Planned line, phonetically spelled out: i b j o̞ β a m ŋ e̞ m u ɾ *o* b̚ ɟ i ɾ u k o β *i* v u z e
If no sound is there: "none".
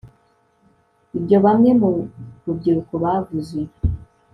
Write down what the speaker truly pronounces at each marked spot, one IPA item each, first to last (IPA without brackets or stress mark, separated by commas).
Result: u, a